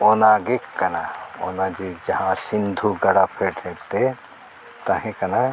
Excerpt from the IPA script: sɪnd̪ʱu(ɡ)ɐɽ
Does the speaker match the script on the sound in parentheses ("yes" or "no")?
yes